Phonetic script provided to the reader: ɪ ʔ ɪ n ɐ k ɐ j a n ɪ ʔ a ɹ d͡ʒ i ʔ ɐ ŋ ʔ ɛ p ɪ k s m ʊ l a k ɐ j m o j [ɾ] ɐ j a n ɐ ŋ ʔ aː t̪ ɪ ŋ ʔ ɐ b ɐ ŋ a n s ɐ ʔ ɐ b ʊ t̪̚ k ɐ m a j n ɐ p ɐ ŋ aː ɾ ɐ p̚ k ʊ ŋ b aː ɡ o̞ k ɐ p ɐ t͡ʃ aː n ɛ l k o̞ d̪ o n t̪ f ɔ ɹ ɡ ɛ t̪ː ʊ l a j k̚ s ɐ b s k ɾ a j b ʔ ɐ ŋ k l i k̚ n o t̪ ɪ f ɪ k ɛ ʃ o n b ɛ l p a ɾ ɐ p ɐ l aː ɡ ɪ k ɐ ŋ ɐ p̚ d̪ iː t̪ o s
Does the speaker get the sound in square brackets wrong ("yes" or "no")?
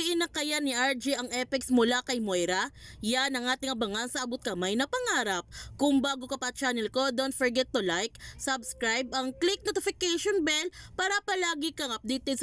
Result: no